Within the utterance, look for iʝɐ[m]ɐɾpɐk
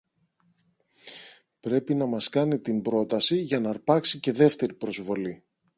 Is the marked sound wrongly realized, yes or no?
yes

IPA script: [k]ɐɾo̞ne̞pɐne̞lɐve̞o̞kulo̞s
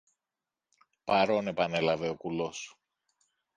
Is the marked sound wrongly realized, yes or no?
yes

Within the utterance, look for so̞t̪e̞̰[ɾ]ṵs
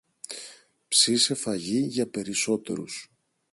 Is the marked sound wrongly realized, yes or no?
no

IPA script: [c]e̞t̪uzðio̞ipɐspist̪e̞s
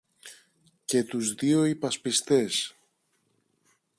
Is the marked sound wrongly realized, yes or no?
no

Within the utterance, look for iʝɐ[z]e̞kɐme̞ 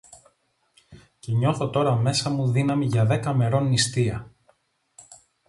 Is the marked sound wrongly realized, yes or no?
yes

